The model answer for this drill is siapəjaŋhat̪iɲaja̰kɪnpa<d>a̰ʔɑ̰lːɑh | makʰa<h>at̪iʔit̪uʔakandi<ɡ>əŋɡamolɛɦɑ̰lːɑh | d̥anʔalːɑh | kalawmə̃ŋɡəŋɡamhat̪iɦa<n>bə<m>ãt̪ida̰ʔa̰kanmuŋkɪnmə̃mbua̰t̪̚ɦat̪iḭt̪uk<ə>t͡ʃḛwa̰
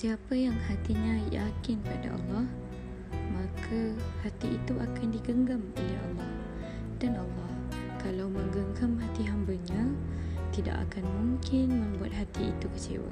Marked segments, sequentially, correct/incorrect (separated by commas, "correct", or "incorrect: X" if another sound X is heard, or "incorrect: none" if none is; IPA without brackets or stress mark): correct, correct, correct, incorrect: m, incorrect: ɲ, correct